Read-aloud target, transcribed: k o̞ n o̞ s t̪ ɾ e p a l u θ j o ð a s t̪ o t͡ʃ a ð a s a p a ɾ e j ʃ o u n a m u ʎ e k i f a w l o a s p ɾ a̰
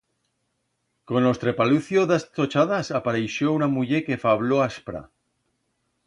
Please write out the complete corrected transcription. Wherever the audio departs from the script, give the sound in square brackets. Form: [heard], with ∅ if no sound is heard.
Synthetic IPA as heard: k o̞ n o̞ s t̪ ɾ e p a l u θ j o ð a s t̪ o t͡ʃ a ð a s a p a ɾ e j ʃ o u n a m u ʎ e k [e] f a [β] l o a s p ɾ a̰